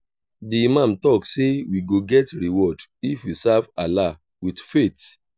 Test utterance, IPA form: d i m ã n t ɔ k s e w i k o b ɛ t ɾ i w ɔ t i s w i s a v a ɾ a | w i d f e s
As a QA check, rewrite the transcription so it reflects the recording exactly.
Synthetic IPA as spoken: d i m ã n t ɔ k s e w i ɡ o ɡ ɛ t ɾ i w ɔ d i f w i s a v a l a | w i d f e t

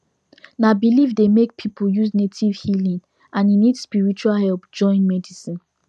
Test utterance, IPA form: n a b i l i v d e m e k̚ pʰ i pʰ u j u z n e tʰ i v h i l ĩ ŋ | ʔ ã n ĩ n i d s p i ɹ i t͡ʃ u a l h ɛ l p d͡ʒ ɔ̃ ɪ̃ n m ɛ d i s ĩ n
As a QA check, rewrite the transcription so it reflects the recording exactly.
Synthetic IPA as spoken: n a b i l i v d e m e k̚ pʰ i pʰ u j u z n e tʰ i v h i l ĩ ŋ | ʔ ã n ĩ n i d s p i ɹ i t͡ʃ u a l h ɛ l p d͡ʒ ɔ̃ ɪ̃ n m ɛ d i s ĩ n

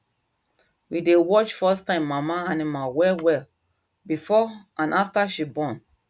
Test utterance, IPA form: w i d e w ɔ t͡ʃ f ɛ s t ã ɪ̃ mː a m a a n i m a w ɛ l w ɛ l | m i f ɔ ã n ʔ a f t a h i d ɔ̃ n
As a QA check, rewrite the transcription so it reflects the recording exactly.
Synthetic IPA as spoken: w i d e w ɔ t͡ʃ f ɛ s t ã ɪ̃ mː a m a a n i m a w ɛ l w ɛ l | b i f ɔ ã n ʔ a f t a ʃ i b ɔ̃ n

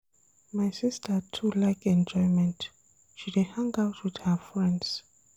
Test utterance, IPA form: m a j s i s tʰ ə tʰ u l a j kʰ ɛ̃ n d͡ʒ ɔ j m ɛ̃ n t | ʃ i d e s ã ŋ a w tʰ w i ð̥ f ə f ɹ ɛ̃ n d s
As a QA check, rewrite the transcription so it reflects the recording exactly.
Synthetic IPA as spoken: m a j s i s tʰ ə tʰ u l a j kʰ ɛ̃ n d͡ʒ ɔ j m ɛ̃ n t | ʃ i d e h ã ŋ a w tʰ w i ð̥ h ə f ɹ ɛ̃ n d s

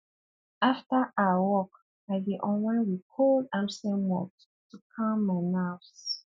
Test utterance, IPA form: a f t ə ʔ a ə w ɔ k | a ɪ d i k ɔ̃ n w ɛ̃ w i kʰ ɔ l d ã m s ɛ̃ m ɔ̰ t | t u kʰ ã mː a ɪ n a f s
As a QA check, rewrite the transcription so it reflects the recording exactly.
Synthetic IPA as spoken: a f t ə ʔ a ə w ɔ k | a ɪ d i ʔ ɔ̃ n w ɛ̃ w i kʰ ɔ l d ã m s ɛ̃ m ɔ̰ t | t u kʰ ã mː a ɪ n a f s

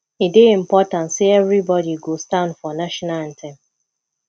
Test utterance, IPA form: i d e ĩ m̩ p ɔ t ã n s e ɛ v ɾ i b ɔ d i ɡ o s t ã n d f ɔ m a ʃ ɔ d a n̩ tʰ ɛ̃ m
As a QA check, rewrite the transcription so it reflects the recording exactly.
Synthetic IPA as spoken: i d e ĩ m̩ p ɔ t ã n s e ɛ v ɾ i b ɔ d i ɡ o s t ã n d f ɔ n a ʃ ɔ n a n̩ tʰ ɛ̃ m

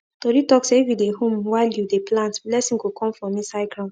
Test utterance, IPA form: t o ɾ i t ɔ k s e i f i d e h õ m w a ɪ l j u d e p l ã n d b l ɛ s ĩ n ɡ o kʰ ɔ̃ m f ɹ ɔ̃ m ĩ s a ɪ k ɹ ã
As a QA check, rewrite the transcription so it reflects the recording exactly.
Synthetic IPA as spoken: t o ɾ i t ɔ k s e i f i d e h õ m w a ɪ l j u d e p l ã n t b l ɛ s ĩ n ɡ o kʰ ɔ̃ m f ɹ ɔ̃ m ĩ s a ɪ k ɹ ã

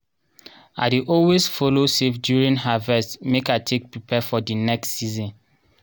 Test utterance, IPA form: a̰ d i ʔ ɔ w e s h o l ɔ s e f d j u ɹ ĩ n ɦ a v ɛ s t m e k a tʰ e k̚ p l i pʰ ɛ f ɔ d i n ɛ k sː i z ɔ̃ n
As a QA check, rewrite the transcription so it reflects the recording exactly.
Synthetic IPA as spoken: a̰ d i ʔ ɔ w e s f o l o s e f d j u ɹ ĩ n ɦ a v ɛ s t m e k a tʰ e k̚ p ɹ i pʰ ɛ f ɔ d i n ɛ k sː i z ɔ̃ n

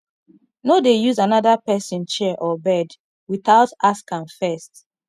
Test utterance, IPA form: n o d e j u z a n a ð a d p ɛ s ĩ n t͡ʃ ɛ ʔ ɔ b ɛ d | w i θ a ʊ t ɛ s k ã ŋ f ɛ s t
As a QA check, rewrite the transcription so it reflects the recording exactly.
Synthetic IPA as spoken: n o d e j u z a n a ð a p ɛ s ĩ n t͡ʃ ɛ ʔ ɔ b ɛ d | w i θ a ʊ t a s k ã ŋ f ɛ s t

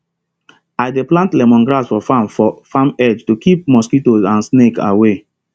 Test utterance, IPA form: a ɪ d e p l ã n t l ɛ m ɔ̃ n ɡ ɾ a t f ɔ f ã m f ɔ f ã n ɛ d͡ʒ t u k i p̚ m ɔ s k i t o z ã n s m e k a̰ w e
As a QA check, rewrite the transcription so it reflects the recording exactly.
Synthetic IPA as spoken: a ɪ d e p l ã n t l ɛ m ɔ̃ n ɡ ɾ a s f ɔ f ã m f ɔ f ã m ɛ d͡ʒ t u k i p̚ m ɔ s k i t o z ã n s n e k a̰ w e

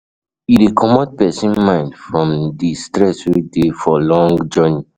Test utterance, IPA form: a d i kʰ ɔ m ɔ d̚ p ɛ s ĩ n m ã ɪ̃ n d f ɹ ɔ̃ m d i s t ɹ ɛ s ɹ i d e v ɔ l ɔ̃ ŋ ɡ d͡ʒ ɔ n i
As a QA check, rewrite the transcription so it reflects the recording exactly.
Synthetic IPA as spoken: i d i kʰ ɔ m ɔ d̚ p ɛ s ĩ n m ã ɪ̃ n d f ɹ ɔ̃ m d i s t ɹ ɛ s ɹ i d e f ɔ l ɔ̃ ŋ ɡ d͡ʒ ɔ n i

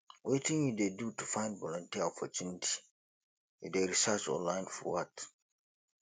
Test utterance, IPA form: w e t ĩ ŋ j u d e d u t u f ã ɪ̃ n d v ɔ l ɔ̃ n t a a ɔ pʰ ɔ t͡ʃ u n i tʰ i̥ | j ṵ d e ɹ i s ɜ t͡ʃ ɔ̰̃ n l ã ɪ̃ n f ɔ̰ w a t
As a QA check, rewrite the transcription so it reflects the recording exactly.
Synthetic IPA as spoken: w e t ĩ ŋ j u d e d u t u f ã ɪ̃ n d v ɔ l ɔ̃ n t i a ɔ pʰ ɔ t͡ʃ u n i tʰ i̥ | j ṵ d e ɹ i s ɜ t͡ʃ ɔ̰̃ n l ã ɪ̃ n f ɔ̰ w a t

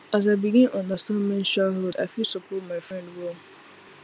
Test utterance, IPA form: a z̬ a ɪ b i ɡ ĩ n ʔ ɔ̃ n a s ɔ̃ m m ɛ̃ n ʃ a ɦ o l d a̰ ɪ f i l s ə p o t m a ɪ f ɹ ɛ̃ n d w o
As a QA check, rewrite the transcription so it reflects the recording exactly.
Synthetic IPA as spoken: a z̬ a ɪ b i ɡ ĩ n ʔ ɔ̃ n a s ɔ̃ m m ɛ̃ n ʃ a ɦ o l d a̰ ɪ f i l s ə p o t m a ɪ f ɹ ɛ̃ n d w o

